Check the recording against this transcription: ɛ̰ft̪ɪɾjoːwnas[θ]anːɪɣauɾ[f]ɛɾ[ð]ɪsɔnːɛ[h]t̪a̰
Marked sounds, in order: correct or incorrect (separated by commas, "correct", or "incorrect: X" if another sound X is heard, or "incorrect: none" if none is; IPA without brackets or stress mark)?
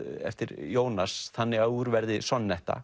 correct, incorrect: v, correct, correct